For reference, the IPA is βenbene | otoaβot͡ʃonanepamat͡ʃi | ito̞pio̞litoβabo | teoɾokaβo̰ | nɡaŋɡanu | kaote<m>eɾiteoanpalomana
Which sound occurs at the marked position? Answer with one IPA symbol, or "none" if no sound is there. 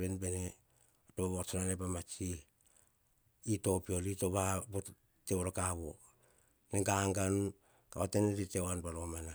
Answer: n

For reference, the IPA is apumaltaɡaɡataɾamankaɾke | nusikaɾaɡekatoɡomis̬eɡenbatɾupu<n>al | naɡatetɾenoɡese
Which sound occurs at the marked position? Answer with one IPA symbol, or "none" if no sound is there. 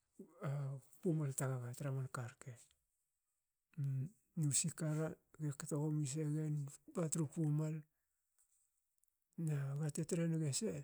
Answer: m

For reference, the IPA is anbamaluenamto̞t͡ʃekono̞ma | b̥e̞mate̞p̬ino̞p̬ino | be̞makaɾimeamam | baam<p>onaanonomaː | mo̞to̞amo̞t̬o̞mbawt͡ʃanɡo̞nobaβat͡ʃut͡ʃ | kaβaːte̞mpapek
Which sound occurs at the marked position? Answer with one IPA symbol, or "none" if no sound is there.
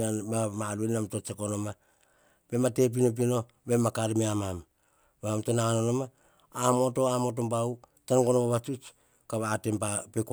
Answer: t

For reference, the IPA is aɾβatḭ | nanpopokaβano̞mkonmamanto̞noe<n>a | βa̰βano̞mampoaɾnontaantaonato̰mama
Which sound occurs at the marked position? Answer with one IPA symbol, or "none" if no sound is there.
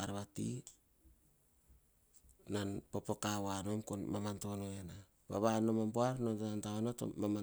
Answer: n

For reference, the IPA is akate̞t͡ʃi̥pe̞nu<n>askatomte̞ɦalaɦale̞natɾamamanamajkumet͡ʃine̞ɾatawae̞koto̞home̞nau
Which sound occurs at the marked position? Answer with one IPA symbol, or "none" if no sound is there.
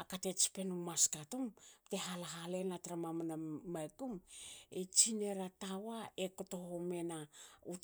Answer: m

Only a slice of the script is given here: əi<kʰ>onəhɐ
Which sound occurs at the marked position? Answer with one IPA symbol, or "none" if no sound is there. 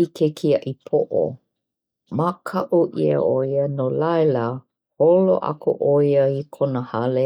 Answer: kʰ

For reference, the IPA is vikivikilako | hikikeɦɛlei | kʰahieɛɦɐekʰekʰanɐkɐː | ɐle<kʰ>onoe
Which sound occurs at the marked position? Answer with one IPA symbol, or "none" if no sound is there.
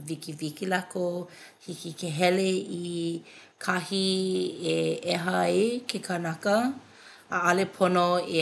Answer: pʰ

